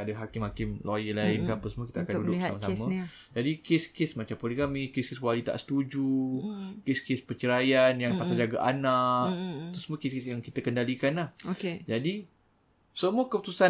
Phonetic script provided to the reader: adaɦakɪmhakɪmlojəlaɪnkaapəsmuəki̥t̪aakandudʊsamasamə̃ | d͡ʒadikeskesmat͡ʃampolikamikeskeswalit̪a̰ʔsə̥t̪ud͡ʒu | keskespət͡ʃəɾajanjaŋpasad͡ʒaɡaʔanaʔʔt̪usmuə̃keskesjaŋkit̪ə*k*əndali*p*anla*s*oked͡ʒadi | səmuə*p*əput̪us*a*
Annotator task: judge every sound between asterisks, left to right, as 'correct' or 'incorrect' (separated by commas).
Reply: correct, incorrect, incorrect, incorrect, correct